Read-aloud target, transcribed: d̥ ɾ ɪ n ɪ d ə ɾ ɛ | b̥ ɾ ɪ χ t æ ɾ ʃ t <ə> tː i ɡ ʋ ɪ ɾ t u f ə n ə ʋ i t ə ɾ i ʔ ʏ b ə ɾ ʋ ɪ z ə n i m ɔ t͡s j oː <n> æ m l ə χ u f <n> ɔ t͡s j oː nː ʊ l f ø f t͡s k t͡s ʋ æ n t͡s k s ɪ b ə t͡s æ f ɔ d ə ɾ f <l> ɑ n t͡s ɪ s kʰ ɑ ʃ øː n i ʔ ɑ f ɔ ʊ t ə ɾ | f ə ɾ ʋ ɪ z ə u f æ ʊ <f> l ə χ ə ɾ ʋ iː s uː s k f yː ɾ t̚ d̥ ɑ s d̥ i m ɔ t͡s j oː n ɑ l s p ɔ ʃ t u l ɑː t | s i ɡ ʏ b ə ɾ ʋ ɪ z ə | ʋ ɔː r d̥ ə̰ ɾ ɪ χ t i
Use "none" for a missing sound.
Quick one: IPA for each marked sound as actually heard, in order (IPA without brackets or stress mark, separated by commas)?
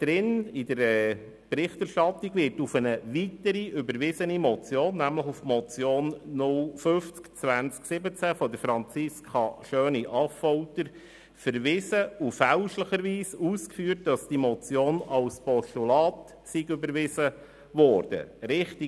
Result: ɑ, nː, m, ɾ, ʃ